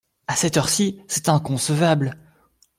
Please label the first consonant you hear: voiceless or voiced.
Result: voiceless